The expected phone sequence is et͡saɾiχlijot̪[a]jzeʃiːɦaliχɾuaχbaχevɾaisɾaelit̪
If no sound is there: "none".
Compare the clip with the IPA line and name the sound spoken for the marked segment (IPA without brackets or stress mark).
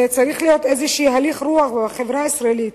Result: e